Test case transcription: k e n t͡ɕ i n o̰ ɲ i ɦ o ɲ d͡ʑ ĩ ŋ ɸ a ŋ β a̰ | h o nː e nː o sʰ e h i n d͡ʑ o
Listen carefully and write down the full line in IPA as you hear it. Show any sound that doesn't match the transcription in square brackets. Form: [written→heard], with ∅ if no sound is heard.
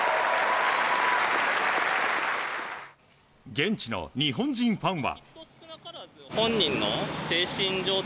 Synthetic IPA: [k→ɡ] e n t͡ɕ i n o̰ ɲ i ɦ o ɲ d͡ʑ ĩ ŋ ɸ a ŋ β a̰ | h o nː [e→i] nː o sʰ e [h→ɕ] i n d͡ʑ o